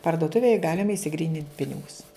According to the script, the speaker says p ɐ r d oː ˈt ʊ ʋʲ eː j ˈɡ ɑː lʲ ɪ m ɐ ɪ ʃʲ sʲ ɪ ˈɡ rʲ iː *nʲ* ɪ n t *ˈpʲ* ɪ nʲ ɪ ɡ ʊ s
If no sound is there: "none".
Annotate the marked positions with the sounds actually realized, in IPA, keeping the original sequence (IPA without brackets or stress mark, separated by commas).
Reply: nʲ, pʲ